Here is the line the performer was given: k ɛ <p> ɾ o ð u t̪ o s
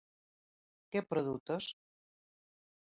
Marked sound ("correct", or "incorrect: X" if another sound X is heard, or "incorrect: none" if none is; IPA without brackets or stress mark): correct